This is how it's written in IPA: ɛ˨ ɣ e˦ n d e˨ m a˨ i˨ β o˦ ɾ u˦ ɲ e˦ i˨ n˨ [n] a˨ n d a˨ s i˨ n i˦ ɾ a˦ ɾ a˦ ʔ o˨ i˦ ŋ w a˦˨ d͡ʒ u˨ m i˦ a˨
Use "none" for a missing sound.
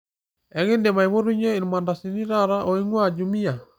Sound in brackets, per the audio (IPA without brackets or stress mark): m